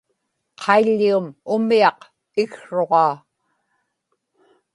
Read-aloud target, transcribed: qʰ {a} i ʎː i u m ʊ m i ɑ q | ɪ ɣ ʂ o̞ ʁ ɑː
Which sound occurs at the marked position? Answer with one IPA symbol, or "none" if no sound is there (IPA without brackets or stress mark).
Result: ɑ